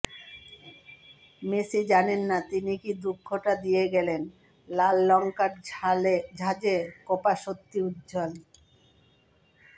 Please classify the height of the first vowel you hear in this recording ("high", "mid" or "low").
mid